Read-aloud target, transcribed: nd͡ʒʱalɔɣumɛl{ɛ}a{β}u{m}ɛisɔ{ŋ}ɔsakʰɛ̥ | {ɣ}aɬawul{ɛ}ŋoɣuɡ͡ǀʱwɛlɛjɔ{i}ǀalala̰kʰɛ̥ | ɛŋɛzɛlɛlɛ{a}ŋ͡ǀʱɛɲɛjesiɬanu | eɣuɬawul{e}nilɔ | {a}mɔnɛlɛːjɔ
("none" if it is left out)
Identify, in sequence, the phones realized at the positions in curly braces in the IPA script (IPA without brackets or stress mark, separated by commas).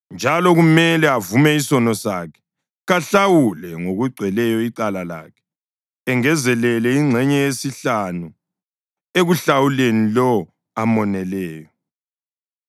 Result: ɛ, v, m, n, ɣ, ɛ, i, i, e, a